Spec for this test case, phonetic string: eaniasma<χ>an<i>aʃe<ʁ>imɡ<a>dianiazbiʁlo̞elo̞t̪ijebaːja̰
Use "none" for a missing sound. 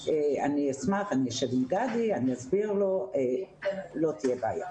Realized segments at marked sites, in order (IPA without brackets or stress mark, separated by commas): χ, i, v, a